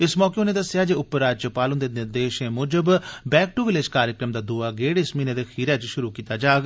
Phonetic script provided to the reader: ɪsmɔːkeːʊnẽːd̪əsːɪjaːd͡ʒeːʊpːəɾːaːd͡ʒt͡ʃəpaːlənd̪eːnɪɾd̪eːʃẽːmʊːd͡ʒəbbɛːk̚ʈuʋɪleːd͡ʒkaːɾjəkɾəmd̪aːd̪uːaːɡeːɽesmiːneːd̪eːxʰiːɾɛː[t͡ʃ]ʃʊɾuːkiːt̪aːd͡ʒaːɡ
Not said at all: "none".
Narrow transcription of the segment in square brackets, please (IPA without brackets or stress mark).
t͡ʃ